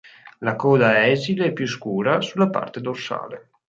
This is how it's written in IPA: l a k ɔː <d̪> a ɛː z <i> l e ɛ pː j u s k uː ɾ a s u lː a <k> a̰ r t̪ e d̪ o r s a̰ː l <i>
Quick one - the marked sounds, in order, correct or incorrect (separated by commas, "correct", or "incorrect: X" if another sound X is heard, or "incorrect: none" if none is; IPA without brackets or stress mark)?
correct, correct, incorrect: p, incorrect: e